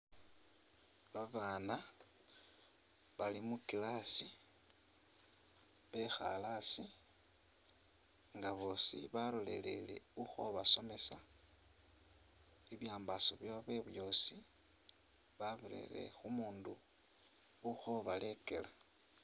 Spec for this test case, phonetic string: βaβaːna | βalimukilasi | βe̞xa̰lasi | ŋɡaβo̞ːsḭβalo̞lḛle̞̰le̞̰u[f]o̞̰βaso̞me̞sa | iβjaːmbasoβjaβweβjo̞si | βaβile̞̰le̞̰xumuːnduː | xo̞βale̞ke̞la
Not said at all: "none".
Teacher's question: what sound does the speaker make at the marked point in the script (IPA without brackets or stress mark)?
x